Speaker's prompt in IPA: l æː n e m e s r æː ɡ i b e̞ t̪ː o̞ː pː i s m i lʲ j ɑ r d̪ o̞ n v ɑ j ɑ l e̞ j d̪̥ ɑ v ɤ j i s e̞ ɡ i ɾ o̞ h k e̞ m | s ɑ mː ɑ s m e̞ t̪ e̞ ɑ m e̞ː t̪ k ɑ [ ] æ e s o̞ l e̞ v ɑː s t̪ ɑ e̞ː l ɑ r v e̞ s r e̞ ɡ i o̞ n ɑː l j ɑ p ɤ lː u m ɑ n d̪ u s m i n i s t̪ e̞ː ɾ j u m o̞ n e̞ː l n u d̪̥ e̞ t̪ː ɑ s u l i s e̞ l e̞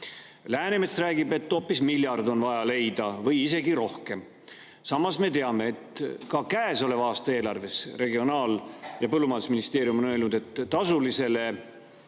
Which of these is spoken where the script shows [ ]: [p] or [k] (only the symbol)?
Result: k